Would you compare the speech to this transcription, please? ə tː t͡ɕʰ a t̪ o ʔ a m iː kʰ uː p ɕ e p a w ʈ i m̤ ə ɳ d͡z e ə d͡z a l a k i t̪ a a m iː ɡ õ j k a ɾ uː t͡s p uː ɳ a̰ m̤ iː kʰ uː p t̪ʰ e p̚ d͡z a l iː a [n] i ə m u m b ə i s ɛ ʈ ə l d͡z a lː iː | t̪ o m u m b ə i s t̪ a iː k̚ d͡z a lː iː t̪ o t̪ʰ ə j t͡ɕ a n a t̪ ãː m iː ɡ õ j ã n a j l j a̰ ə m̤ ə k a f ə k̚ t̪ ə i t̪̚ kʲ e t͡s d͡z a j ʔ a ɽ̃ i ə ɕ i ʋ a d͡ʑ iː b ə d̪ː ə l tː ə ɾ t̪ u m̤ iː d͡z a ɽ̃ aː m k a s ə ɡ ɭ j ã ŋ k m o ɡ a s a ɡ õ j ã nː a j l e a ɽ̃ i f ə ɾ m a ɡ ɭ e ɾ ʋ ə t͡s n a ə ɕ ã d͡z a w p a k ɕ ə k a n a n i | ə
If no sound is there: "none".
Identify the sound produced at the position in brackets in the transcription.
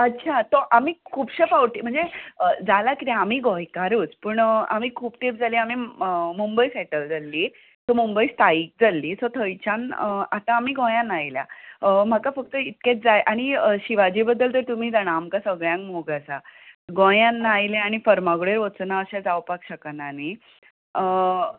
m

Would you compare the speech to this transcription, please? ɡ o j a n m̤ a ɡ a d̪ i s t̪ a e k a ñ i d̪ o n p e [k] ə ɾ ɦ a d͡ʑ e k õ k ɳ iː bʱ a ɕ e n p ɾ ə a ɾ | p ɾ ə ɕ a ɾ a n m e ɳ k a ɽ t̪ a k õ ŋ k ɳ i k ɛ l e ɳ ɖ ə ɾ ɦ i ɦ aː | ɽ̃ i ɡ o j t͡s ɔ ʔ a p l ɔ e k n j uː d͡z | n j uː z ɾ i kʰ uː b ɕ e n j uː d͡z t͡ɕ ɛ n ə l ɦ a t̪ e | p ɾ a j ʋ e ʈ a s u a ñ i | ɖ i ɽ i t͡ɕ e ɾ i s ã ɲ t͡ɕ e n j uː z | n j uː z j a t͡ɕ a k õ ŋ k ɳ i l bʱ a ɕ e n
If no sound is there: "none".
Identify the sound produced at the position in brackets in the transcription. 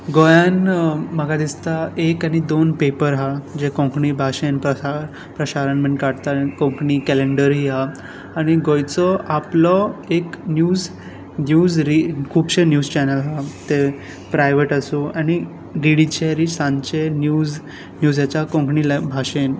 p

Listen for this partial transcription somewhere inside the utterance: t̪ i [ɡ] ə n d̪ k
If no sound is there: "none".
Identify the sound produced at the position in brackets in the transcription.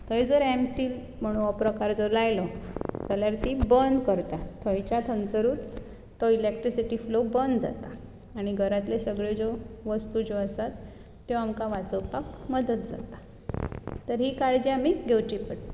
b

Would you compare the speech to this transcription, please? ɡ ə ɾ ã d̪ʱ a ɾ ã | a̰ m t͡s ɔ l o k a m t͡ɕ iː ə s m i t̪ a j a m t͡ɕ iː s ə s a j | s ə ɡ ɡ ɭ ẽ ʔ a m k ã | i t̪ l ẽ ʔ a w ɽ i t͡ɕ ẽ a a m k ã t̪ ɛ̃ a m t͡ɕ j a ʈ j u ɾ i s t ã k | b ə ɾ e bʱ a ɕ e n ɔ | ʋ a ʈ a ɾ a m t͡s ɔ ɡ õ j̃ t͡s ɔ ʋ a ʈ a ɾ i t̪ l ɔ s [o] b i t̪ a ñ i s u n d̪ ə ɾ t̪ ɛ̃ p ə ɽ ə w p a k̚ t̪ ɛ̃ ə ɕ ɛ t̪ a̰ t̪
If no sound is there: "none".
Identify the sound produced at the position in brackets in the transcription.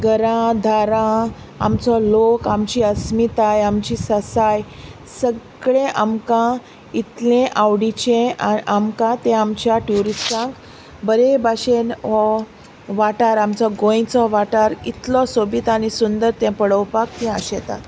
o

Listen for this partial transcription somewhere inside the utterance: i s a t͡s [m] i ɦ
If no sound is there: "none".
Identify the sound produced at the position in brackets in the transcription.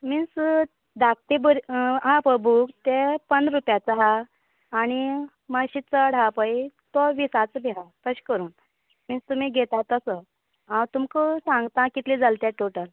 b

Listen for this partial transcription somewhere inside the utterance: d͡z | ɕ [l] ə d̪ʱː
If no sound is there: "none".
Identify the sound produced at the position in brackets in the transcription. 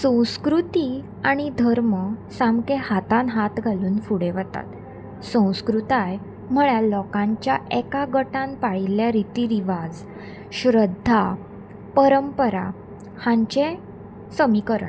ɾ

